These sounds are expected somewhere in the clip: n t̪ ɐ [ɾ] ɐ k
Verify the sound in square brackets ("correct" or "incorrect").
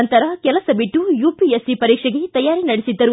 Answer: correct